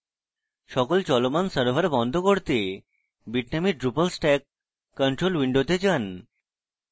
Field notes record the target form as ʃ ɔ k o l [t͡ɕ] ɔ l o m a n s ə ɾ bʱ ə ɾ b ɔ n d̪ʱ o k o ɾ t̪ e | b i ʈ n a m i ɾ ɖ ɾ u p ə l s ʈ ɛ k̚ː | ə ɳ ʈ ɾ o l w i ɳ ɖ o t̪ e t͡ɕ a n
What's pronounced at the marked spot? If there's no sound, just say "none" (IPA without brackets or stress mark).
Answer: t͡ɕ